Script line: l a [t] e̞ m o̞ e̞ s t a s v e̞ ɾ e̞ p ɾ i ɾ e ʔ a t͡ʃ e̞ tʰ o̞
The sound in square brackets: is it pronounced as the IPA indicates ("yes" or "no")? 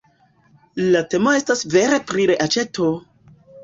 yes